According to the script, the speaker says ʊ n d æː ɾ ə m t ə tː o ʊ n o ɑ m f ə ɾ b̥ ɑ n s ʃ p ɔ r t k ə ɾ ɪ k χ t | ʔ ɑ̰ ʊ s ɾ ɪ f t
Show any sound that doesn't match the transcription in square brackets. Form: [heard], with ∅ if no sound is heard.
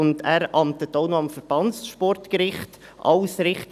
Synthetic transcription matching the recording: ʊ n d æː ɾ [ɑ] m t ə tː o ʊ n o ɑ m f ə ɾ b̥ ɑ n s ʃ p ɔ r t k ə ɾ ɪ [∅] χ t | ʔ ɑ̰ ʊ s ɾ ɪ [χ] t